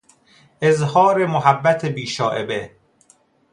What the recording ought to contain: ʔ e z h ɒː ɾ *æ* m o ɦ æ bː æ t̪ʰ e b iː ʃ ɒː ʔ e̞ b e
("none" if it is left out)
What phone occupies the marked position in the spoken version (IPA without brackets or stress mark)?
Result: e